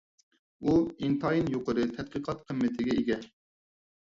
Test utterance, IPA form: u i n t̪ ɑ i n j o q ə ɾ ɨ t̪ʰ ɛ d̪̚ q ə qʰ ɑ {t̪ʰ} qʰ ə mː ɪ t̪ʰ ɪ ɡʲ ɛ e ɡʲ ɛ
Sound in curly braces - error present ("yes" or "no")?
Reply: yes